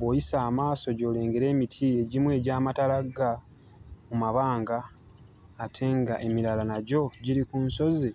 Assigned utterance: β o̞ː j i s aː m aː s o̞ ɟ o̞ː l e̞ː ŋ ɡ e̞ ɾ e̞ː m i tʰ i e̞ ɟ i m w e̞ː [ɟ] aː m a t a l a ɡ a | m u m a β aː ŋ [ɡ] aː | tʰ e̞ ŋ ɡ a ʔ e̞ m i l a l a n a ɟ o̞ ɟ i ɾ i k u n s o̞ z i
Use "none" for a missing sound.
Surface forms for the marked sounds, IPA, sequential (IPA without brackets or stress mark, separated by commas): ɟ, ɡ